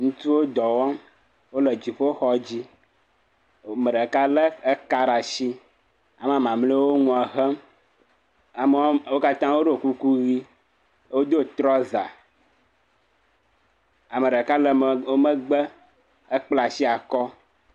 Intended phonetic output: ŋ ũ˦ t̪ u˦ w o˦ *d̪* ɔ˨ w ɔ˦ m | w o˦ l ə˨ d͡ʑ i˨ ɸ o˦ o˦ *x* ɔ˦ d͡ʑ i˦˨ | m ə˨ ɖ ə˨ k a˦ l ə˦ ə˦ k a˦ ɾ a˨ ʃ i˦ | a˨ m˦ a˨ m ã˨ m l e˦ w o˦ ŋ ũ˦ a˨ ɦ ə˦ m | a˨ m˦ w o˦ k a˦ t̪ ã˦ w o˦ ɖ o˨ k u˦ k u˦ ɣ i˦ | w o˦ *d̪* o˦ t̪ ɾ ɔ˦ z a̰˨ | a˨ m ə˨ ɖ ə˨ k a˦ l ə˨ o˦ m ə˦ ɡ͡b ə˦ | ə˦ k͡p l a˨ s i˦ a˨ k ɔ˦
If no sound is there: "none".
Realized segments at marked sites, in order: d̪, x, d̪

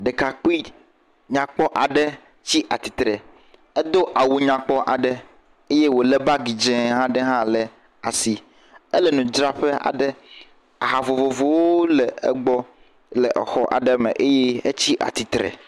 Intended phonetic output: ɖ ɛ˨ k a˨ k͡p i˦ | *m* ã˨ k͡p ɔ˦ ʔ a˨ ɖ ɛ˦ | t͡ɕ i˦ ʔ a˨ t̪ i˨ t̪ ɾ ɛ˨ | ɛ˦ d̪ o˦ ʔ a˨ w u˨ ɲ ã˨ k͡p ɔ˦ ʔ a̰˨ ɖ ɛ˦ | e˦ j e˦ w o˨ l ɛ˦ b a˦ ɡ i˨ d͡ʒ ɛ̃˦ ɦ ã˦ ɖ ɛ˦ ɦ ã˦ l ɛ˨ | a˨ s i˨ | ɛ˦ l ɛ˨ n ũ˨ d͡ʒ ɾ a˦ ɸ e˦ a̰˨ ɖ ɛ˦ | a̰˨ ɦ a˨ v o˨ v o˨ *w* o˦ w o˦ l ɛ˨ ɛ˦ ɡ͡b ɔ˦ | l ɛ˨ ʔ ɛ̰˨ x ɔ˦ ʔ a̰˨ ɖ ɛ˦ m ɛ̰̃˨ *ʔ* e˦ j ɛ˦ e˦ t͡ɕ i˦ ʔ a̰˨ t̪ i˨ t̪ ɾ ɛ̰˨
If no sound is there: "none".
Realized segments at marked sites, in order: ɲ, v, ʔ

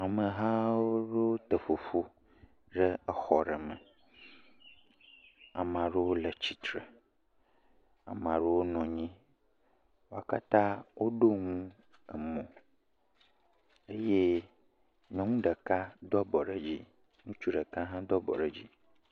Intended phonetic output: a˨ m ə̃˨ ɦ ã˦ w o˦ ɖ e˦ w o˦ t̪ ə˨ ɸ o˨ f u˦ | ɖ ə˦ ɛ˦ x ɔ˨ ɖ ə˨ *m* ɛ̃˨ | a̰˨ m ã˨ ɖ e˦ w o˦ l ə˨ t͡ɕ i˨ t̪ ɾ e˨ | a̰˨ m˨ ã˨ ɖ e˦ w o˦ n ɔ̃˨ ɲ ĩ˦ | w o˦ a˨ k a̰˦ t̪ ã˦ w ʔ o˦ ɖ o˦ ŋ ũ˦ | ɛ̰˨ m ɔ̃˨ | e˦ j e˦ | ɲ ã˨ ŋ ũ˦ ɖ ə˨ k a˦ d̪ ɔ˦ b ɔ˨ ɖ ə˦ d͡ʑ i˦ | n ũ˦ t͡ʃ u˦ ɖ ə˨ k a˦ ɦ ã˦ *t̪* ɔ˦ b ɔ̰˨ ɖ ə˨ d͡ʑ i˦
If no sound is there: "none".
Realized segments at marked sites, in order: m, d̪

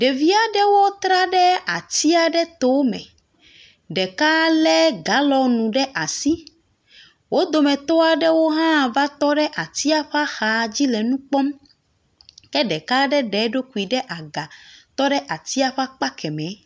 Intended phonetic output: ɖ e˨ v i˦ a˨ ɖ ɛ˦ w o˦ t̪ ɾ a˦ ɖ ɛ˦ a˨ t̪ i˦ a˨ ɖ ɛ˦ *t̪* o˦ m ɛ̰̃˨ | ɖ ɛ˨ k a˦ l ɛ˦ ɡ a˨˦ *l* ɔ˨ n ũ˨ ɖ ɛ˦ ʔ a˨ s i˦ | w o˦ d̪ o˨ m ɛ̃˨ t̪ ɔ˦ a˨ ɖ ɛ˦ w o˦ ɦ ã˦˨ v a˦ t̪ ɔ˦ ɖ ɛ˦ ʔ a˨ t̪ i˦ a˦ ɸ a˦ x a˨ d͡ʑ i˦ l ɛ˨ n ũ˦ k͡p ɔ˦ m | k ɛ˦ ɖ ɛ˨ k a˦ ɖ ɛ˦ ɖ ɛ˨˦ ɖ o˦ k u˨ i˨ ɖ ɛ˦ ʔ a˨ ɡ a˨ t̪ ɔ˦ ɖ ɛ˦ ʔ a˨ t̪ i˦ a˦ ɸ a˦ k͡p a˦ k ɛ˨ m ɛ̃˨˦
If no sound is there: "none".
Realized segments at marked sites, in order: t̪, l

